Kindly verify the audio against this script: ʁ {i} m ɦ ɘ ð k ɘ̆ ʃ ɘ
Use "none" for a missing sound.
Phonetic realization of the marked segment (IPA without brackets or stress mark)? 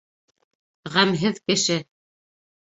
æ